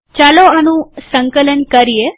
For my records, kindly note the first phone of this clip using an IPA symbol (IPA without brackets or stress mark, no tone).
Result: t͡ʃ